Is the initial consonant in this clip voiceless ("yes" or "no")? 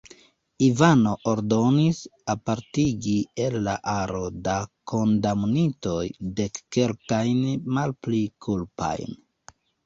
no